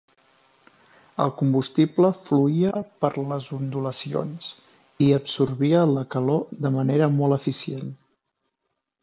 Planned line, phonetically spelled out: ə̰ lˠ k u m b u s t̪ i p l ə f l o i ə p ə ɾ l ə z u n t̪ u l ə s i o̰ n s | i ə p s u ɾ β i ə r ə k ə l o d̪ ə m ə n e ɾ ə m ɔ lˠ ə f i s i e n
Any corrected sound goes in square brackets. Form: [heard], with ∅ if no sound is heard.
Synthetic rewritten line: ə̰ lˠ k u m b u s t̪ i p l ə f l [u] i ə p ə ɾ l ə z u n [d̪] u l ə s i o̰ n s | i ə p s u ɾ β i ə [l] ə k ə l o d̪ ə m ə n e ɾ ə m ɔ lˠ ə f i s i e n